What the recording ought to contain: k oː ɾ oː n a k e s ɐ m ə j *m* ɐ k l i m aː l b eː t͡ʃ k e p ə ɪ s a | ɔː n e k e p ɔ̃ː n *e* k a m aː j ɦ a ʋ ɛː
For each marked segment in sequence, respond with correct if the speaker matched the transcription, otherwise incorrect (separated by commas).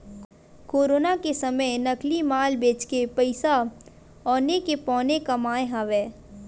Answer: incorrect, correct